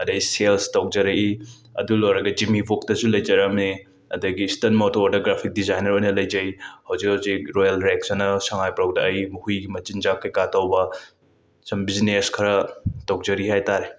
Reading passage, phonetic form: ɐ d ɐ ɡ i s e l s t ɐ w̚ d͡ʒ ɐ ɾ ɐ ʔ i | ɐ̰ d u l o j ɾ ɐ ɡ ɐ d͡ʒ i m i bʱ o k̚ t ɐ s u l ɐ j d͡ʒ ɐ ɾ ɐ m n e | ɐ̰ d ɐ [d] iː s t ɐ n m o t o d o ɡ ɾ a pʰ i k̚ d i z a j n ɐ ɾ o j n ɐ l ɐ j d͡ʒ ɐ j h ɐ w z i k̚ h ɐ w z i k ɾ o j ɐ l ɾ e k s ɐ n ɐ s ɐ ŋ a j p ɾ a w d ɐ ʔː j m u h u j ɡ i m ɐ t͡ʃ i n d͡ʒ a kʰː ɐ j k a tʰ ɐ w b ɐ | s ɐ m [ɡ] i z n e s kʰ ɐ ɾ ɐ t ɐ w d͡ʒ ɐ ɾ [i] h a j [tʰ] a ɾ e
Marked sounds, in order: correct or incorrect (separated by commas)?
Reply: incorrect, incorrect, correct, incorrect